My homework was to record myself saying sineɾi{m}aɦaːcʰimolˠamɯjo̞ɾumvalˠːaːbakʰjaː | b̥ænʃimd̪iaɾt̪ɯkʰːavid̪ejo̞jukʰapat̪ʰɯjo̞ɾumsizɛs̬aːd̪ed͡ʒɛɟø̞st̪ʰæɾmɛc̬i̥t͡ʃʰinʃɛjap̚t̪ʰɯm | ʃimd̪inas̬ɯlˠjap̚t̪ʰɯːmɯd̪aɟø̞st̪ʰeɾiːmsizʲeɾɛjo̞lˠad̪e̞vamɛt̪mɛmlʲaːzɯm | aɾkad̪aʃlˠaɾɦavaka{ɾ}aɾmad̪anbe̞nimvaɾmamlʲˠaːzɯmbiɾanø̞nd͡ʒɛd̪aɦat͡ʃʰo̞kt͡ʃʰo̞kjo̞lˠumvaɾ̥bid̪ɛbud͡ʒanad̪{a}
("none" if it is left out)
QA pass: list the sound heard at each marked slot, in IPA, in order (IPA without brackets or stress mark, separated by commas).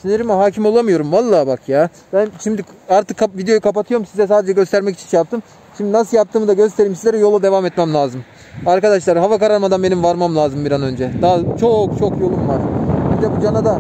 m, ɾ, a